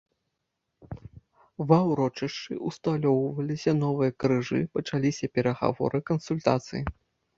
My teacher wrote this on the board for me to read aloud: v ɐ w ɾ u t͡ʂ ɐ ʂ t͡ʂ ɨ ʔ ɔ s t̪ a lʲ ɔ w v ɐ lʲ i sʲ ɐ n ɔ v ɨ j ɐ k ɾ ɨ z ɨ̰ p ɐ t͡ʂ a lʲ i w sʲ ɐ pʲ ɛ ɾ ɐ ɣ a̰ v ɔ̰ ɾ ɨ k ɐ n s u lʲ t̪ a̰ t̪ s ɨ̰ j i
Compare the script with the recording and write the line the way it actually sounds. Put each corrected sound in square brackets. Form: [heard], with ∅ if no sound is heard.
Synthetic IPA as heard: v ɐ w ɾ [ɔ] t͡ʂ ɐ ʂ t͡ʂ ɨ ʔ [u] s t̪ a lʲ ɔ w v ɐ lʲ i sʲ ɐ n ɔ v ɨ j ɐ k ɾ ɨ [ʐ] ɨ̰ p ɐ t͡ʂ a lʲ i [∅] sʲ ɐ pʲ ɛ ɾ ɐ ɣ a̰ v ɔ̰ ɾ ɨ k ɐ n s u lʲ t̪ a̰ t̪ s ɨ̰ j i